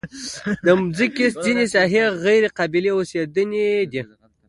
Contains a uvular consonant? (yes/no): yes